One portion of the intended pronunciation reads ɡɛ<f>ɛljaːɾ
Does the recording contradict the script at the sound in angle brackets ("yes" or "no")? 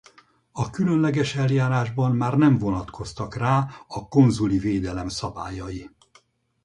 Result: yes